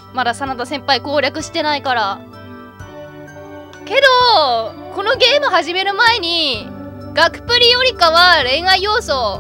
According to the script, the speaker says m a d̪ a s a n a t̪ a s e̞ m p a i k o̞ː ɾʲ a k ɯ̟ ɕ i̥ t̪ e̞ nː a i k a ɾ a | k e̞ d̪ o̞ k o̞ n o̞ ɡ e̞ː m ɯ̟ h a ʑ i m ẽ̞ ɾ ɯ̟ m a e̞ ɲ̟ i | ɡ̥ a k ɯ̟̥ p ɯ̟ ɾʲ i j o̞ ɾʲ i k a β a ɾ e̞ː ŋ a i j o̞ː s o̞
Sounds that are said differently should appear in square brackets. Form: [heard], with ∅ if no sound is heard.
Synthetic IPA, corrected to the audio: m a d̪ a s a n a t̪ a s [ẽ̞] m p a i k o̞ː ɾʲ a k ɯ̟ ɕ i̥ t̪ e̞ [n] a i k a ɾ a | k e̞ d̪ o̞ k o̞ n o̞ ɡ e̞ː m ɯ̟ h a ʑ i m [e̞] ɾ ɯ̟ m a e̞ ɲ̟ i | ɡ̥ a k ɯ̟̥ p ɯ̟ ɾʲ i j o̞ ɾʲ i k a β a ɾ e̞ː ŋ a i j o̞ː s o̞